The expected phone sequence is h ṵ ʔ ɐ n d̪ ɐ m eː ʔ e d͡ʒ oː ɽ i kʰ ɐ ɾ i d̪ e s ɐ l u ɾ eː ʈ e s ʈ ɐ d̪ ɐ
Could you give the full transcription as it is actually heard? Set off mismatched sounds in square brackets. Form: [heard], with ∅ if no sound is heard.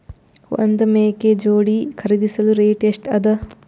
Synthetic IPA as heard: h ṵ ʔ ɐ n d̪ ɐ m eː [k] e d͡ʒ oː ɽ i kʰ ɐ ɾ i d̪ [i] s ɐ l u ɾ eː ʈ e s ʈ ɐ d̪ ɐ